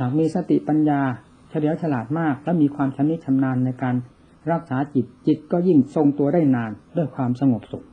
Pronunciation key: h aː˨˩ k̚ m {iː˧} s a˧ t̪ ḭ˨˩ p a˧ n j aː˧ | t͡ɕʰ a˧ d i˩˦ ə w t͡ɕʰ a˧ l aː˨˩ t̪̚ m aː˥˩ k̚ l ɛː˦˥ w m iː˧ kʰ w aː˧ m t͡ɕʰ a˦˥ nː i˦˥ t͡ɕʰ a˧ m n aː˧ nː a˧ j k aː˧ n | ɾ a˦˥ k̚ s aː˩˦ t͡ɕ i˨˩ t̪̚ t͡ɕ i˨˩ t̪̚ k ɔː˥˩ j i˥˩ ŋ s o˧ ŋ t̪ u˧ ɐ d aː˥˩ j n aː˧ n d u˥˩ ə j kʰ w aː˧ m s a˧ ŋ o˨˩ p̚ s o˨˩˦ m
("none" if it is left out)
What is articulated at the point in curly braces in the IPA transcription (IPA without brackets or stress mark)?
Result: iː˧